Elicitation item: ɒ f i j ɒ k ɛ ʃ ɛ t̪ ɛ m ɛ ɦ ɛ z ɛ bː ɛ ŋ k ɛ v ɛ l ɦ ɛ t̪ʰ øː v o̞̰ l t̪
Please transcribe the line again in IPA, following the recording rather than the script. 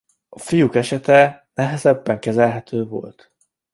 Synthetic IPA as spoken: ɒ f i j u k ɛ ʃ ɛ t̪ ɛ n ɛ ɦ ɛ z ɛ bː ɛ ŋ k ɛ z ɛ l ɦ ɛ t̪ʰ øː v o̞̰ l t̪